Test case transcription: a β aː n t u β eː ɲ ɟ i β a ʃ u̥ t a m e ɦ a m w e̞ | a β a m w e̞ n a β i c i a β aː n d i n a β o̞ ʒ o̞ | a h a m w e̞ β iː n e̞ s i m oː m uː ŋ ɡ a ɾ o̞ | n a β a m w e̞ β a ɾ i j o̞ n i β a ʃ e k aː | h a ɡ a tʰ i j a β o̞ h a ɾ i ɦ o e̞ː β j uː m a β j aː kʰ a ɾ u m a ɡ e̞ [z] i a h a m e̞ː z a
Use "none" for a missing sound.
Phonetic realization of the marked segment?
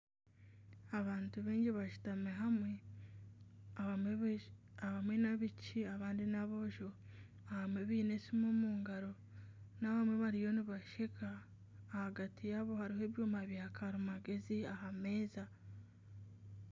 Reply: z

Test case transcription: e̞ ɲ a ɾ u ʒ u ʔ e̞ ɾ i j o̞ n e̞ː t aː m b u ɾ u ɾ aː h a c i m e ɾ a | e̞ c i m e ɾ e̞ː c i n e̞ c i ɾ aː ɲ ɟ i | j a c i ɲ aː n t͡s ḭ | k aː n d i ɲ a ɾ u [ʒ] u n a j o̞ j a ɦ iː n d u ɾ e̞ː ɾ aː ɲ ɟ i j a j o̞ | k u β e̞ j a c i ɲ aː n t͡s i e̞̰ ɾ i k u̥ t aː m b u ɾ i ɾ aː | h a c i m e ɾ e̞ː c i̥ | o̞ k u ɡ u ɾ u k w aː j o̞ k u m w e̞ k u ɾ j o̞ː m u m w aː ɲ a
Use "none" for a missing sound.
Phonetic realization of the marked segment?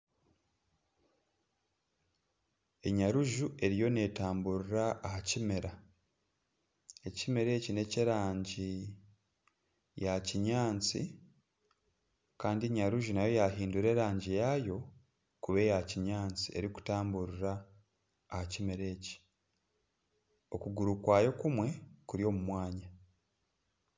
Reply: ʒ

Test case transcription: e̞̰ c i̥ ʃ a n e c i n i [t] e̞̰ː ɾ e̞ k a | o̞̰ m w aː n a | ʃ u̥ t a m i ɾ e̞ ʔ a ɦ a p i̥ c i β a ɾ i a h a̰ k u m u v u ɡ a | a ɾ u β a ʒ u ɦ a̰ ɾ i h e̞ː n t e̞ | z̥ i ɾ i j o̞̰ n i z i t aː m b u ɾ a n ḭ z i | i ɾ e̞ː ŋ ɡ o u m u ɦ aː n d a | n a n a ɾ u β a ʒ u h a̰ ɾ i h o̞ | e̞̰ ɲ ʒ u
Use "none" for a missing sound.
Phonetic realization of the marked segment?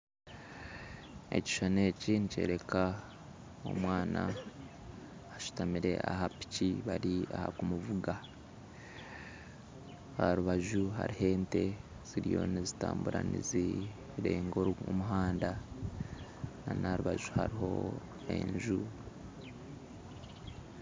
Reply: c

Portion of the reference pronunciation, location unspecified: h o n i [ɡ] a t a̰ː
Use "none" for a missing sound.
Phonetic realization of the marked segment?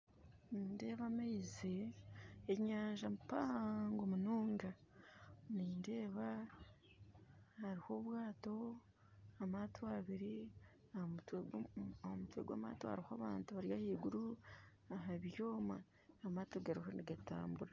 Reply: ɡ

